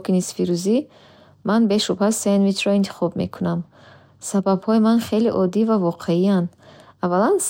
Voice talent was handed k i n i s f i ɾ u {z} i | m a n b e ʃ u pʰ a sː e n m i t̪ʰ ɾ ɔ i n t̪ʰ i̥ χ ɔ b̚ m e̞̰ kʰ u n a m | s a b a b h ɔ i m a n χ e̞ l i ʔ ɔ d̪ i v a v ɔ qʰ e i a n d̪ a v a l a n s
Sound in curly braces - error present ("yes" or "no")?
no